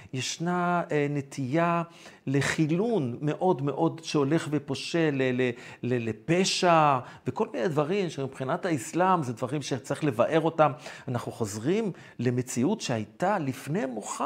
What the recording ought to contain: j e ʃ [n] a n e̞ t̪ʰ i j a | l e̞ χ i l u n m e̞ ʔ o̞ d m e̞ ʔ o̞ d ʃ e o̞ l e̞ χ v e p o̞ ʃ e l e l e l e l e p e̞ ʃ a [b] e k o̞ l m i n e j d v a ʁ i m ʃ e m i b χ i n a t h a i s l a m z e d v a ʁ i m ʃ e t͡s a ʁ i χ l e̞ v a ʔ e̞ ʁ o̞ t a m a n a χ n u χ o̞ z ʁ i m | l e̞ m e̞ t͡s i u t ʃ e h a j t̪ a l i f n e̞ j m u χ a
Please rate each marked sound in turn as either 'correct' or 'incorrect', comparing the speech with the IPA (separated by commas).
correct, incorrect